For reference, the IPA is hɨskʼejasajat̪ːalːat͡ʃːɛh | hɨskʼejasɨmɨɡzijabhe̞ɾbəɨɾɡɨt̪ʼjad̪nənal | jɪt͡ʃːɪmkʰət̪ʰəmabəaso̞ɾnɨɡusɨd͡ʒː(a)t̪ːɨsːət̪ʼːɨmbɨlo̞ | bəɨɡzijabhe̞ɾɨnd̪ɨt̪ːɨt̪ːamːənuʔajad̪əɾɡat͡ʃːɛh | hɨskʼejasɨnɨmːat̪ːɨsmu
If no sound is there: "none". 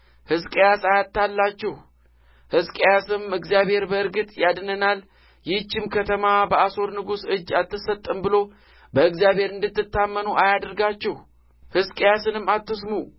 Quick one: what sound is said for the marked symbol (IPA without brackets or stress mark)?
a